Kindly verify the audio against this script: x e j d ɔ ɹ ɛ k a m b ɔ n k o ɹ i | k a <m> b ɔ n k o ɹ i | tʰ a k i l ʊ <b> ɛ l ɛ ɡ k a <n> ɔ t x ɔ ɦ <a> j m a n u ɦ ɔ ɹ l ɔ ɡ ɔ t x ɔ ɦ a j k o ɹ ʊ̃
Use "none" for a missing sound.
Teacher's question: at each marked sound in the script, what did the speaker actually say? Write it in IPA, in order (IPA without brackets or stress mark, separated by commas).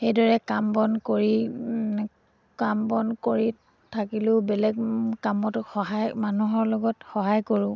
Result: m, b, m, a